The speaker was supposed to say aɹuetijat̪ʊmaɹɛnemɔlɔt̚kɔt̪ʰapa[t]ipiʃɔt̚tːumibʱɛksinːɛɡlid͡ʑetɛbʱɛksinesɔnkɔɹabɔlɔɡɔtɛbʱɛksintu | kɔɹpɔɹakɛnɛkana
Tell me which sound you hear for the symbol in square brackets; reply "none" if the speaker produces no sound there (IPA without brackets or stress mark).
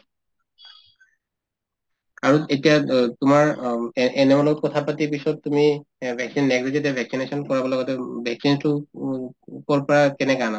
t